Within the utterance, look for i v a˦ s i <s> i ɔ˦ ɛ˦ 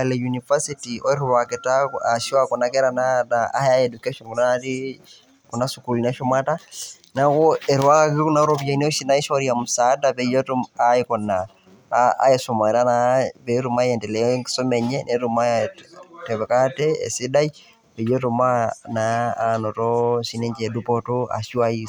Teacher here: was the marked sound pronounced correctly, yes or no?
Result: no